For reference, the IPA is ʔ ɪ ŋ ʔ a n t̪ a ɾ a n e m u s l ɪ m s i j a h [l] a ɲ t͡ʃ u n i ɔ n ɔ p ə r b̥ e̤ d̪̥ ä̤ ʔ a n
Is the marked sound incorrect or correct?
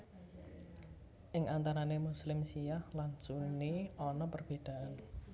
correct